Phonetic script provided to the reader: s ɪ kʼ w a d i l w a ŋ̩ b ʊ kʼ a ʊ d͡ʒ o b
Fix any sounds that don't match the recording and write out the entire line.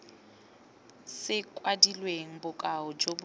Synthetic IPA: s ɪ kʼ w a d i l w e ŋ̩ b ʊ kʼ a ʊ d͡ʒ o b